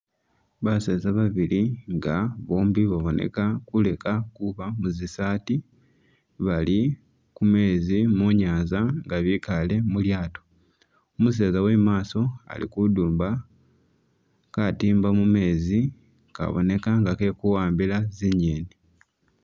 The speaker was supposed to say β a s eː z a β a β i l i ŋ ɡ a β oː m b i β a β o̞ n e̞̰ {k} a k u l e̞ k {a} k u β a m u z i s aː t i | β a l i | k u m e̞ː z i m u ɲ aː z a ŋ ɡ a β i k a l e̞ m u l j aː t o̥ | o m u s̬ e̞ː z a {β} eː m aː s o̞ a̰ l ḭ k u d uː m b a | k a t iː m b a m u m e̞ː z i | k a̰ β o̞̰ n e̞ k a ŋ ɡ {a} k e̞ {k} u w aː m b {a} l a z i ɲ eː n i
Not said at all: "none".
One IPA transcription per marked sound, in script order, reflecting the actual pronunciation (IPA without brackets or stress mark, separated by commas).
k, a, w, a, k, i